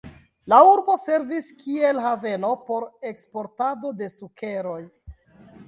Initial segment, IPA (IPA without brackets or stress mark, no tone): l